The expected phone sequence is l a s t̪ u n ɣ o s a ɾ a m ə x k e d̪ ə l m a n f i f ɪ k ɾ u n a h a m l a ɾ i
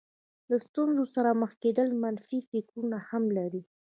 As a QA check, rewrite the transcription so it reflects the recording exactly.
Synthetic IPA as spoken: l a s t̪ u n z o s a ɾ a m ə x k e d̪ ə l m a n f i f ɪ k ɾ u n a h a m l a ɾ i